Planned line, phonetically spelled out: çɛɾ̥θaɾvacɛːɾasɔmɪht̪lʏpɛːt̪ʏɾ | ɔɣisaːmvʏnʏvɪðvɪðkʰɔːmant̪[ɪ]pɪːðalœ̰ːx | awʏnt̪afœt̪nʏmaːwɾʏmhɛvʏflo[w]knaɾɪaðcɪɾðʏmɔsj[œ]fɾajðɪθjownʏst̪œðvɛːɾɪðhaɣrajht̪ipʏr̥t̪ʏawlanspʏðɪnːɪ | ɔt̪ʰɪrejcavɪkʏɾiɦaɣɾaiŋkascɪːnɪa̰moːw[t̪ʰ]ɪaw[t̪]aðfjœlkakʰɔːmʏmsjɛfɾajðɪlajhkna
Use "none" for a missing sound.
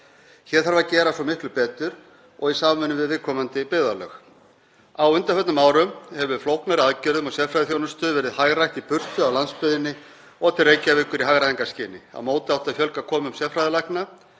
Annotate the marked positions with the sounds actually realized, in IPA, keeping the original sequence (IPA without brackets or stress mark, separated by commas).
ɪ, w, ɛ, t̪, t̪